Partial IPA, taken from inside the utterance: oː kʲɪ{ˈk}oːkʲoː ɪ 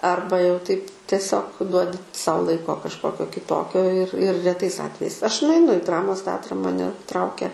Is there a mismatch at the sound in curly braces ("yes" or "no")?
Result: yes